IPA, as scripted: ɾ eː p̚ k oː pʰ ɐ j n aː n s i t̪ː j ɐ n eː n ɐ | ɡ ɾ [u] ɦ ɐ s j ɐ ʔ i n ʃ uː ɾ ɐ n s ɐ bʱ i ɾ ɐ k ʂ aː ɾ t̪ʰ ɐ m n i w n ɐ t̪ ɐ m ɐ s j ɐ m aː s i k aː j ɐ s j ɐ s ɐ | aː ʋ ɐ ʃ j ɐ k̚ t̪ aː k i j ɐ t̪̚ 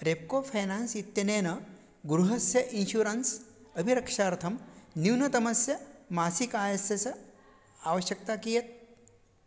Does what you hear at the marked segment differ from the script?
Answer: no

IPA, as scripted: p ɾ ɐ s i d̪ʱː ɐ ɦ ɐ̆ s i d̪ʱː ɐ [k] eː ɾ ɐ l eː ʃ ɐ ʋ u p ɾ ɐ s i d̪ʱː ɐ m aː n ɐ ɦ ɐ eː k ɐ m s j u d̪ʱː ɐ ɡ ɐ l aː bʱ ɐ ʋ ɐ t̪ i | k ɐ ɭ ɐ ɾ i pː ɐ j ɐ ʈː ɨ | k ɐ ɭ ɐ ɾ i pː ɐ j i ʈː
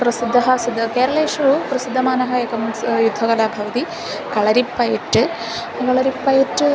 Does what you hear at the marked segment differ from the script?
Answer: no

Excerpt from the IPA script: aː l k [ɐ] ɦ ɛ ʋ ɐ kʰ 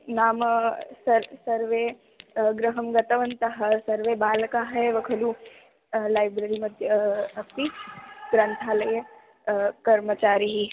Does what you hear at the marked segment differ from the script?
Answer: yes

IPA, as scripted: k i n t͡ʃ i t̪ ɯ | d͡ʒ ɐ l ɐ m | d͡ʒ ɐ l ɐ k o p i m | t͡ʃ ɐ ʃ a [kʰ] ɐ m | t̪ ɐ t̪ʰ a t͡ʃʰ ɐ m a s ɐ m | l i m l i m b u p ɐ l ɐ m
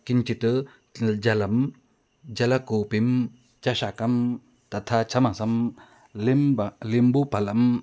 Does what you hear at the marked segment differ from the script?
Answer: yes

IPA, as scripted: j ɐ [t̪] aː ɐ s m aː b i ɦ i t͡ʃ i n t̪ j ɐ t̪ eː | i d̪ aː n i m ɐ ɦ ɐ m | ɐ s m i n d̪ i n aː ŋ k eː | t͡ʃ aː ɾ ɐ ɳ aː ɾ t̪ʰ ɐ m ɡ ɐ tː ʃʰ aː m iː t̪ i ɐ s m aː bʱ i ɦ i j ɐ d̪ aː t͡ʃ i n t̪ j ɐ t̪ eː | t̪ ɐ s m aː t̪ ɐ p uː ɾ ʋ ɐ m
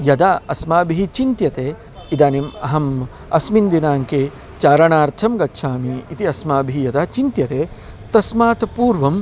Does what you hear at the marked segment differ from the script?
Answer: yes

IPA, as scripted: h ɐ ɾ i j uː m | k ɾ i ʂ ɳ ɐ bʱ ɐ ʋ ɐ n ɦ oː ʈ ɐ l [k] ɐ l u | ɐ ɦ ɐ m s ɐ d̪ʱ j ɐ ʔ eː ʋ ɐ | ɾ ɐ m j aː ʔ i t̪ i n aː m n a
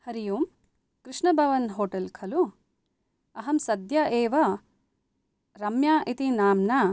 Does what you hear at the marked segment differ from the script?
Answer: yes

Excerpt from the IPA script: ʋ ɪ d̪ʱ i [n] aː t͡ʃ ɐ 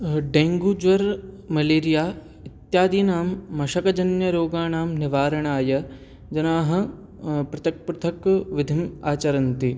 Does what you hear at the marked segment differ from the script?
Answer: yes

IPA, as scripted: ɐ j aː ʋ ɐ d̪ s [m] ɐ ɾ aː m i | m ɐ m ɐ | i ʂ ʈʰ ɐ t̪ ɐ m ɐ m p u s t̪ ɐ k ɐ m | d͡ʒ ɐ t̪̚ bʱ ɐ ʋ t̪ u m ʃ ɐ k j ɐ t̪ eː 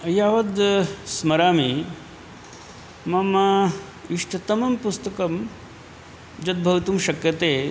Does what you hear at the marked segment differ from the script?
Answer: no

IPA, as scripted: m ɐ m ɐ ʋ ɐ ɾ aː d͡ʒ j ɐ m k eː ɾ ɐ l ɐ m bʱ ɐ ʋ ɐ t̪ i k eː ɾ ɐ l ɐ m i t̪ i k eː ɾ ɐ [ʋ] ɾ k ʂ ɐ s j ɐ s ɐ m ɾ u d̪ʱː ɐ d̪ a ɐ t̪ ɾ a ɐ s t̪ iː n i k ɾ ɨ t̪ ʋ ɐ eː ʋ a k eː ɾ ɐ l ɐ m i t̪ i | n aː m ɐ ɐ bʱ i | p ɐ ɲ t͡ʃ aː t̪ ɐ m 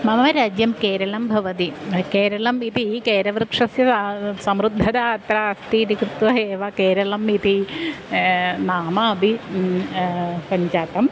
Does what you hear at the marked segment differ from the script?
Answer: no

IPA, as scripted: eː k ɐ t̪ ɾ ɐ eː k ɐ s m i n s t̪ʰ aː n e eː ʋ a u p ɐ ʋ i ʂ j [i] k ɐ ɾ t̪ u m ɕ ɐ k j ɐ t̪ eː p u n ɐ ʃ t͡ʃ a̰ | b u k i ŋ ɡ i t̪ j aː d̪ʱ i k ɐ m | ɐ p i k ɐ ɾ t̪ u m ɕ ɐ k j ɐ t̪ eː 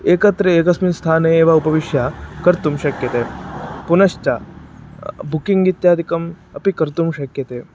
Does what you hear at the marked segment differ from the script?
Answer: yes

